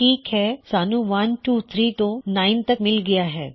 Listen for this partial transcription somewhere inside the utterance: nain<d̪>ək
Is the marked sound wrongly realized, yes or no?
yes